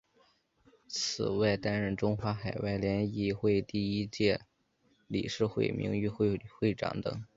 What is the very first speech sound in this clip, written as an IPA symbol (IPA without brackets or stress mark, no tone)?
t͡sʰ